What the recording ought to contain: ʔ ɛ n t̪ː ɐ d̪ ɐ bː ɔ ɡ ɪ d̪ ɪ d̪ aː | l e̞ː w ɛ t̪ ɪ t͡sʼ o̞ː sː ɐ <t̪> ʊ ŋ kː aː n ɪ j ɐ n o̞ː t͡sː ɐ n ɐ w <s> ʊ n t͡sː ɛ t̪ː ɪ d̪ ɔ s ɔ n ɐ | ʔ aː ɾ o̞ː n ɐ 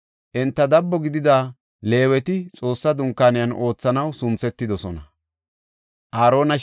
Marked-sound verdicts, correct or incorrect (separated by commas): incorrect, correct